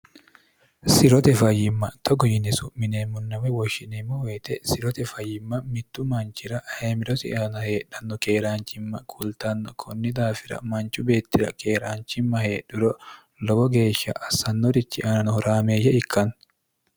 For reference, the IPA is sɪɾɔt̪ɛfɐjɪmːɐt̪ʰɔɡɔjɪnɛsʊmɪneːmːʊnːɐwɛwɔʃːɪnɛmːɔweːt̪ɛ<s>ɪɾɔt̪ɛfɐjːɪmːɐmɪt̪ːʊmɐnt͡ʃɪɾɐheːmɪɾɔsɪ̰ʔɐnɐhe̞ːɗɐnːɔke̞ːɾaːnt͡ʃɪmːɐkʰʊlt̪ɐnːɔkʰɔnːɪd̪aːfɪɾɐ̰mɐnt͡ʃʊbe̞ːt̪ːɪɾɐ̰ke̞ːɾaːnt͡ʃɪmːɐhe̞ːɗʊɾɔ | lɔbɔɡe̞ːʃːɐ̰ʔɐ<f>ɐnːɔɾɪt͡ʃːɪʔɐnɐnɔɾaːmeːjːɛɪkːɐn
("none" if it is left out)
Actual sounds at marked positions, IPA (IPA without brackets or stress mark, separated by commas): s, s